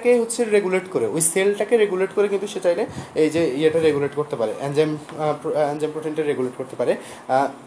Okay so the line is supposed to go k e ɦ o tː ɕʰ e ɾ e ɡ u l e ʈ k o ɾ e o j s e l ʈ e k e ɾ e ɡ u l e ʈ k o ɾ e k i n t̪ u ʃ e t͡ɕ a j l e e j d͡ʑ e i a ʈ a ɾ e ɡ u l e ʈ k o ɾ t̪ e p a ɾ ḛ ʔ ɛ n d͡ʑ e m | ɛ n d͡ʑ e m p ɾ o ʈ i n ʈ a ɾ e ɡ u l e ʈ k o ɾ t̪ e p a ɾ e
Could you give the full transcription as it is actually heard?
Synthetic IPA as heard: k e ɦ o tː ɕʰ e ɾ e ɡ u l e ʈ k o ɾ e o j s e l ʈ a k e ɾ e ɡ u l e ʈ k o ɾ e k i n t̪ u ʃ e t͡ɕ a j l e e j d͡ʑ e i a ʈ a ɾ e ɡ u l e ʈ k o ɾ t̪ e p a ɾ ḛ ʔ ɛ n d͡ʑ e m | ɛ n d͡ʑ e m p ɾ o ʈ i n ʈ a ɾ e ɡ u l e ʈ k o ɾ t̪ e p a ɾ e